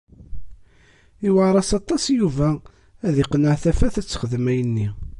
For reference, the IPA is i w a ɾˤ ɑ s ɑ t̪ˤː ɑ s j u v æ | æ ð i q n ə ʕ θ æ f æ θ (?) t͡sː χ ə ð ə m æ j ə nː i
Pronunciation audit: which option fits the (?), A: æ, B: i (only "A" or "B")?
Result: A